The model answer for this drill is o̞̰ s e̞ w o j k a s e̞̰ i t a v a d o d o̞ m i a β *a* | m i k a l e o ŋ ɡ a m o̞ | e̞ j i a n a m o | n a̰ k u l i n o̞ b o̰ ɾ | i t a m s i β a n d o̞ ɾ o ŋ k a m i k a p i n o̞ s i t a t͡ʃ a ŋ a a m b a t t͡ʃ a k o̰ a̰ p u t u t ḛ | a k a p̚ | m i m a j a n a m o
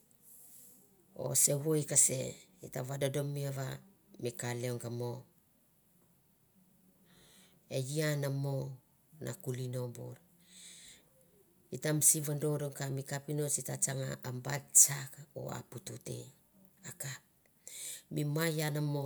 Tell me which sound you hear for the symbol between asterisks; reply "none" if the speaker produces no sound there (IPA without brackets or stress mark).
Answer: a